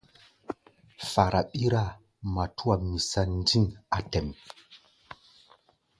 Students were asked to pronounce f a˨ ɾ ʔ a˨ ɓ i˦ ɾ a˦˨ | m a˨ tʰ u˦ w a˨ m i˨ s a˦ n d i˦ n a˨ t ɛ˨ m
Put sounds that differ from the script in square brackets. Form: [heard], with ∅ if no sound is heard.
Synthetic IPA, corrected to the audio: f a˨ ɾ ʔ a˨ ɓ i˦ ɾ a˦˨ | m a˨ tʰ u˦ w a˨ m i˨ s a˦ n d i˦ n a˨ t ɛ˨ m